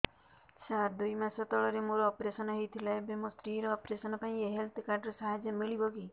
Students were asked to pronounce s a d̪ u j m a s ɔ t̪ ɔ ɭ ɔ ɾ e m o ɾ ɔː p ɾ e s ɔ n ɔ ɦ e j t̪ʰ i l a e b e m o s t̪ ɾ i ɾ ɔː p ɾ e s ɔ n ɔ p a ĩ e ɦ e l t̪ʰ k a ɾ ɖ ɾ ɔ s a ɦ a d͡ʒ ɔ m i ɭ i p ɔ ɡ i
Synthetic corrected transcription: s a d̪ u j m a s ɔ t̪ ɔ ɭ ɔ ɾ e m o ɾ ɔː p ɾ e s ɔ n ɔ ɦ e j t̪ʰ i l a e b e m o s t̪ ɾ i ɾ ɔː p ɾ e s ɔ n ɔ p a ĩ e ɦ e l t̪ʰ k a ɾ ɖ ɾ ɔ s a ɦ a d͡ʒ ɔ m i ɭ i b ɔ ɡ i